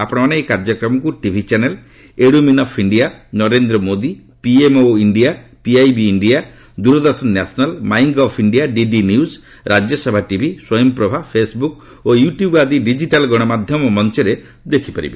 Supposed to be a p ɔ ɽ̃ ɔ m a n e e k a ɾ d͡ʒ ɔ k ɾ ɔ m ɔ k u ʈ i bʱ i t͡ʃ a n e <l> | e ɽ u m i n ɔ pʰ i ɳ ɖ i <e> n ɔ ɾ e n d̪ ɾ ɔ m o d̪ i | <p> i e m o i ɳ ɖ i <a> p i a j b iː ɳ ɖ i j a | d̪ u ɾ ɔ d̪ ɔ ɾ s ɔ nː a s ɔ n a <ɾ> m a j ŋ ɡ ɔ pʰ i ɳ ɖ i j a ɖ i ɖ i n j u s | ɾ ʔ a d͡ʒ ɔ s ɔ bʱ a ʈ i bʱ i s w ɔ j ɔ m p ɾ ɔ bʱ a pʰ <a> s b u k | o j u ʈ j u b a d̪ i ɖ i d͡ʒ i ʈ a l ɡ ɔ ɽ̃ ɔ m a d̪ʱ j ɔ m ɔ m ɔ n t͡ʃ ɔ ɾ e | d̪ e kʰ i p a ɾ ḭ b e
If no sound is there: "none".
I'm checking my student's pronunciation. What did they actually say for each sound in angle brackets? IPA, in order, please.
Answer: l, a, p, a, l, e

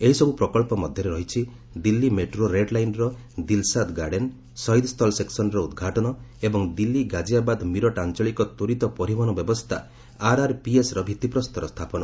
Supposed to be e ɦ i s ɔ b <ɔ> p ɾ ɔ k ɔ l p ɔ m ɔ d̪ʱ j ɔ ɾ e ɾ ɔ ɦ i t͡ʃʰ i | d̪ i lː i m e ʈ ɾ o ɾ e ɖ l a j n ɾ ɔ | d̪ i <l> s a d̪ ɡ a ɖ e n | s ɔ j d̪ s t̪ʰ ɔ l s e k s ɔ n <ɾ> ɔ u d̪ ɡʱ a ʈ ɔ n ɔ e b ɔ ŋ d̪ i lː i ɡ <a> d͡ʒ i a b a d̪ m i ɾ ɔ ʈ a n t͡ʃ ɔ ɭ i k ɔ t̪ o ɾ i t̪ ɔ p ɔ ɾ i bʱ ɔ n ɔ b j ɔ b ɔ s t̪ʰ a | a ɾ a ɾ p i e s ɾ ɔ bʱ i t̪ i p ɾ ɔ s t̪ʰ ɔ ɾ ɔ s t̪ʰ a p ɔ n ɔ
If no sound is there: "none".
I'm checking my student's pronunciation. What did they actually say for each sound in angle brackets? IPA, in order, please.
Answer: u, l, ɾ, a

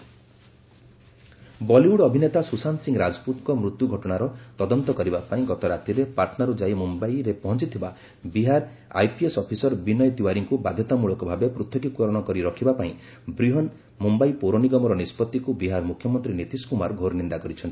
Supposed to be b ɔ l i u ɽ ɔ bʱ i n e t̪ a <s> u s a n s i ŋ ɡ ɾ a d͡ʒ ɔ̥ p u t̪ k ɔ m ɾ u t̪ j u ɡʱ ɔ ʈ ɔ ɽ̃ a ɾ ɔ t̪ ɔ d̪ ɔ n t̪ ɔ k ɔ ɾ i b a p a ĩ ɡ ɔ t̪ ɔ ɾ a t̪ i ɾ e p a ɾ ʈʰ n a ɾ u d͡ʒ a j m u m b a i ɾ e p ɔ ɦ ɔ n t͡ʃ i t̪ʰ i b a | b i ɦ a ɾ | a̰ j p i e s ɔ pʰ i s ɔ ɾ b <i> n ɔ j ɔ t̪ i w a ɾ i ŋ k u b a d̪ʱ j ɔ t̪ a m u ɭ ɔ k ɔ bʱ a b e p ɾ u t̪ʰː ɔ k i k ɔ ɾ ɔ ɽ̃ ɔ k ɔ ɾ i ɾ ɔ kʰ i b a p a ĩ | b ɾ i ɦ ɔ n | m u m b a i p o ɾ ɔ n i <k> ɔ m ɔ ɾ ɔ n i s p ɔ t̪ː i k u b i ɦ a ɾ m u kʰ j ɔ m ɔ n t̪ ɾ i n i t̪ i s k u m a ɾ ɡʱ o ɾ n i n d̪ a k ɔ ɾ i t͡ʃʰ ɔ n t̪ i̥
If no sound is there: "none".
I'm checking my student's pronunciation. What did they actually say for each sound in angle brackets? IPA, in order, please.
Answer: s, i, ɡ

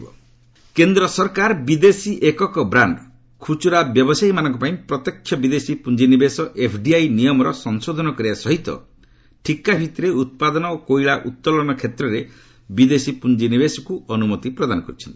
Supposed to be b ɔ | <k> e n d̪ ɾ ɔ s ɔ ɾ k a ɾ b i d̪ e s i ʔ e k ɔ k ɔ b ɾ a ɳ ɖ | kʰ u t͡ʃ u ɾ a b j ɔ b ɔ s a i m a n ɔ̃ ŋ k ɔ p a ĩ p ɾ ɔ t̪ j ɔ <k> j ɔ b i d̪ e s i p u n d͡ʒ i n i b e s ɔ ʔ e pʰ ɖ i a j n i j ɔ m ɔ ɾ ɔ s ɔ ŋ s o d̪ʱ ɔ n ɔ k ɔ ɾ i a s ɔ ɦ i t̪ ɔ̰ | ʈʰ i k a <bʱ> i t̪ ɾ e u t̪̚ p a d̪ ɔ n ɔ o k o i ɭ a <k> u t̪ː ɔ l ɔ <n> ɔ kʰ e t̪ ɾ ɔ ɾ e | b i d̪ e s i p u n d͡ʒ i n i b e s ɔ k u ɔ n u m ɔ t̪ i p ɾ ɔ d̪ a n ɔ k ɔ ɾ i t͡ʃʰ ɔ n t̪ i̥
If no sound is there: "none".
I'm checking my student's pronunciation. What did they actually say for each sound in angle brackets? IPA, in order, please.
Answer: k, kʰ, bʱ, ʔ, n

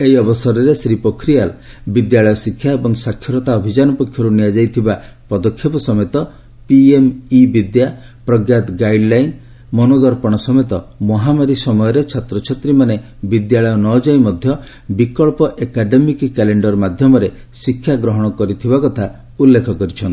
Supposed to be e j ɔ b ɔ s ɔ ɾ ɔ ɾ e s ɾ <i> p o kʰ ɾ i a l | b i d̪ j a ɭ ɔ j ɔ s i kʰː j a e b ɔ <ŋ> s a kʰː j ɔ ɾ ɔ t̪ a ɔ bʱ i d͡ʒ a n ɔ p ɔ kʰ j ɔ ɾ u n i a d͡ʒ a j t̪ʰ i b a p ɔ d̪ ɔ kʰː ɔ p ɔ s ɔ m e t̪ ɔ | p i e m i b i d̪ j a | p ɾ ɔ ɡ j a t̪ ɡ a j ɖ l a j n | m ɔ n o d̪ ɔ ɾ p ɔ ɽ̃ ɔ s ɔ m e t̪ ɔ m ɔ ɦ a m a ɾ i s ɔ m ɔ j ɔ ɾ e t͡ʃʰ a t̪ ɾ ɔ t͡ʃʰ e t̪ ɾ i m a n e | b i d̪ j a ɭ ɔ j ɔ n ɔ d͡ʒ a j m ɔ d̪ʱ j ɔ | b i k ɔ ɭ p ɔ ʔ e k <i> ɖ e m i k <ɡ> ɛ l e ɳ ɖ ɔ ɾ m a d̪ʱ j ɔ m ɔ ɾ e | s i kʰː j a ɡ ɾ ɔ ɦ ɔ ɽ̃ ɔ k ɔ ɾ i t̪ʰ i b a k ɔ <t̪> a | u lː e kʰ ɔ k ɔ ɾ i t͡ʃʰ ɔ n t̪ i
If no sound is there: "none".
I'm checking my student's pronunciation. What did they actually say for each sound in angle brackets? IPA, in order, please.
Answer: i, ŋ, a, k, t̪ʰ

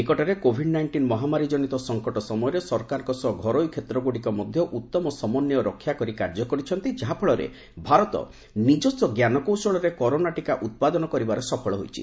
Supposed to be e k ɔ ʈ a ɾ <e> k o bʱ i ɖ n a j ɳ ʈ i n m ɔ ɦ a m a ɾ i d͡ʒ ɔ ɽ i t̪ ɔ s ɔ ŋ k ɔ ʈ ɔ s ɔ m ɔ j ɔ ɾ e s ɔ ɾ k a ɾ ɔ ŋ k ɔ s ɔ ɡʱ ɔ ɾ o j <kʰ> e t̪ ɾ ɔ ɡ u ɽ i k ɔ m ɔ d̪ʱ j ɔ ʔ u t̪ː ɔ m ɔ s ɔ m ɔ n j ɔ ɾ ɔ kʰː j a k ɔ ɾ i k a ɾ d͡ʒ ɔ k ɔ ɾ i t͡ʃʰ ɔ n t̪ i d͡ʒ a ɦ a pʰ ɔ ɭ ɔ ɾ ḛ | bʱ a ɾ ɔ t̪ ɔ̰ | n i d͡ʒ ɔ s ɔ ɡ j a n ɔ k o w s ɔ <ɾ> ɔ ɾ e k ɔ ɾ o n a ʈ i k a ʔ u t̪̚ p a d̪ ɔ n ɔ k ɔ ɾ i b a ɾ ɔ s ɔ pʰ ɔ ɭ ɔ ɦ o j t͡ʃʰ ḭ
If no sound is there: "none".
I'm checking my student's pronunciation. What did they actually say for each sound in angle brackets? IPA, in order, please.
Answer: e, kʰ, ɭ

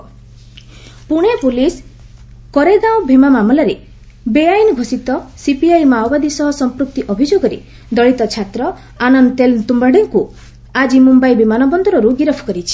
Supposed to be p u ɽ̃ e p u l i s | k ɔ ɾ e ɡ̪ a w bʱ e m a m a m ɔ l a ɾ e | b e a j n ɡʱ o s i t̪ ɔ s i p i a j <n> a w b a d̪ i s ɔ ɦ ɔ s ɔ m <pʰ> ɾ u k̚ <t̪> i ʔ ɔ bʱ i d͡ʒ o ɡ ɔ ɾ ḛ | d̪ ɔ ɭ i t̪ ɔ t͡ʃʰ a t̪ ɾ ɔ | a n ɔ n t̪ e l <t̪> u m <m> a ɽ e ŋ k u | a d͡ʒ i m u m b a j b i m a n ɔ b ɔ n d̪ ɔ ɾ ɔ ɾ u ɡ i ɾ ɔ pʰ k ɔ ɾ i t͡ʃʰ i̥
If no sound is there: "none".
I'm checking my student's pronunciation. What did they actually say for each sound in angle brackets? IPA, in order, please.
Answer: m, p, t̪, t̪, b

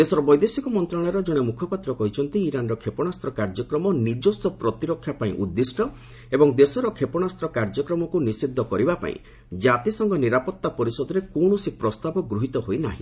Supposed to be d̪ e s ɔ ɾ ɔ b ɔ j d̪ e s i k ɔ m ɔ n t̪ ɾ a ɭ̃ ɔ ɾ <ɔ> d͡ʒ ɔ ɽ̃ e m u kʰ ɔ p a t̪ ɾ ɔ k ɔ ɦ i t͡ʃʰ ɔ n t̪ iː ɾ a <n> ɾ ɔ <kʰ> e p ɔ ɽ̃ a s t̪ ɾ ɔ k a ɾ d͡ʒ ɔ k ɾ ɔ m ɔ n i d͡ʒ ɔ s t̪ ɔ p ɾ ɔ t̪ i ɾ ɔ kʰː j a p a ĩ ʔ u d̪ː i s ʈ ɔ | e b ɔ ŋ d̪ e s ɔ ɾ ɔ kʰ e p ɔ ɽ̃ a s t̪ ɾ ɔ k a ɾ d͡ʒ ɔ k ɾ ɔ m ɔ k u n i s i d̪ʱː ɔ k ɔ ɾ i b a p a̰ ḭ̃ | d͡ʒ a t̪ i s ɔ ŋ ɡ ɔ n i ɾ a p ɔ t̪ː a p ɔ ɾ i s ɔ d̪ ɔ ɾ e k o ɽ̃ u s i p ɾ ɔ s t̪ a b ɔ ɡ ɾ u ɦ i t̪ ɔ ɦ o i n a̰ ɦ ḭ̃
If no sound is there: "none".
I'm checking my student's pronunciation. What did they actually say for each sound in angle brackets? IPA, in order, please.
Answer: ɔ, n, kʰ

